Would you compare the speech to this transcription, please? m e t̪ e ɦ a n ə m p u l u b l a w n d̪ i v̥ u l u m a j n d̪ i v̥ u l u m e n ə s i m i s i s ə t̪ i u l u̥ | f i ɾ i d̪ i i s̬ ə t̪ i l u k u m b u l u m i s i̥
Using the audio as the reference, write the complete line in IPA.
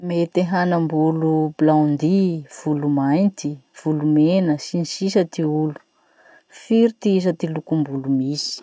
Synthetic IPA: m e t̪ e ɦ a n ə m b u l u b l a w n d̪ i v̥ u l u m a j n t̪ i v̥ u l u m e n ə s i n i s i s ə t̪ i u l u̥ | f i ɾ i t̪ i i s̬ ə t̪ i l u k u m b u l u m i s i̥